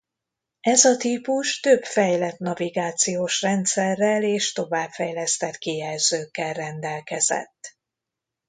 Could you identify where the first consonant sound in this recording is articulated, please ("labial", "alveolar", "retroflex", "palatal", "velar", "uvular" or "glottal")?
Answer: alveolar